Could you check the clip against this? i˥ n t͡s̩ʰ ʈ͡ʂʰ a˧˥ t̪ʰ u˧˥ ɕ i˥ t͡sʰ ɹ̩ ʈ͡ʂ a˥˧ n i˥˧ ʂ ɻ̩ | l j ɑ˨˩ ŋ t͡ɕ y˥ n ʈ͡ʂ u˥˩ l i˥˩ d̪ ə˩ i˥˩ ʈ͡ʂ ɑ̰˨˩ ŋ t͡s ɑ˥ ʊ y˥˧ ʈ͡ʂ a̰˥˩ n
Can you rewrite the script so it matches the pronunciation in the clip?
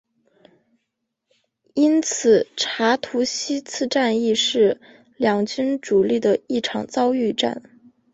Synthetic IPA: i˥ n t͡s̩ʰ ʈ͡ʂʰ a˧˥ t̪ʰ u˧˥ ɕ i˥ t͡sʰ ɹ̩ ʈ͡ʂ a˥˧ n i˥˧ ʂ ɻ̩ | l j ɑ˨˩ ŋ t͡ɕ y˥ n ʈ͡ʂ u˨˩ l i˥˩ d̪ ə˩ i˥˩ ʈ͡ʂʰ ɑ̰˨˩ ŋ t͡s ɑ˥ ʊ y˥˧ ʈ͡ʂ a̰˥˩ n